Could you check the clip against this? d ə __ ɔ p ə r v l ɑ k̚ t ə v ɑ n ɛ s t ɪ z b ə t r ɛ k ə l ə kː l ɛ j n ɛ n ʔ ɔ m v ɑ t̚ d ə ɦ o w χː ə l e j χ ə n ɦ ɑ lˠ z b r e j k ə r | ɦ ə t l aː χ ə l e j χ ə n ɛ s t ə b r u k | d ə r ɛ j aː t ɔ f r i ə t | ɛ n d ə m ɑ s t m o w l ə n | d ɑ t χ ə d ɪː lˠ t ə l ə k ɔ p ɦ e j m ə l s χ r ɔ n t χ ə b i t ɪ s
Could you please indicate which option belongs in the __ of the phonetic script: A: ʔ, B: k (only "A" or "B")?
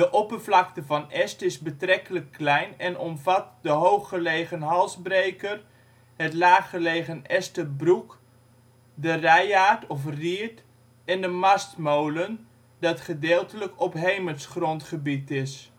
A